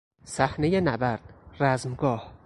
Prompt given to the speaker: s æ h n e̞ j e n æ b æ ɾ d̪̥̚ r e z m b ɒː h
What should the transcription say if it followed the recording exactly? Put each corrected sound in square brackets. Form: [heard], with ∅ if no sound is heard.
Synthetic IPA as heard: s æ h n e̞ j e n æ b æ ɾ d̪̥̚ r [æ] z m [ɡ] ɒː h